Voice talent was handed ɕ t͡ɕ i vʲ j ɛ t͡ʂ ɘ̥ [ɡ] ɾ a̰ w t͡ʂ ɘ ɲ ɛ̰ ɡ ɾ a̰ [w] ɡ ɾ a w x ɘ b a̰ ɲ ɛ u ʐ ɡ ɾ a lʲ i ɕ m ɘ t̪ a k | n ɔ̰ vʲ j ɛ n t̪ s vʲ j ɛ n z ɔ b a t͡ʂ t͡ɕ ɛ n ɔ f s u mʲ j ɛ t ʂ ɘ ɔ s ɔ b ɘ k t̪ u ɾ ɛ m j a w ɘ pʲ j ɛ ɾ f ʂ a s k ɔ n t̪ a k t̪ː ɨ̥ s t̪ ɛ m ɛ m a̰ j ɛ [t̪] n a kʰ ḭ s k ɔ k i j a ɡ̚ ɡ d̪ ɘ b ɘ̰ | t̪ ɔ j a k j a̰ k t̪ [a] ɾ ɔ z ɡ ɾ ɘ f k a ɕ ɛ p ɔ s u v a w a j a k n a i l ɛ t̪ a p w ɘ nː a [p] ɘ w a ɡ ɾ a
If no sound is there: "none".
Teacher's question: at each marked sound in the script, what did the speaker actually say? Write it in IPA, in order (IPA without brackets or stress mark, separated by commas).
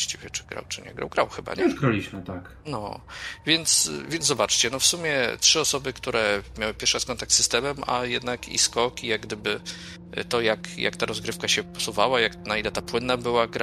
ɡ, w, d̪, a, b